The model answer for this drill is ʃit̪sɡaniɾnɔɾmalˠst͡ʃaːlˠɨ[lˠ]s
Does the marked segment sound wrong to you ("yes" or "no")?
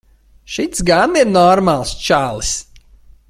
yes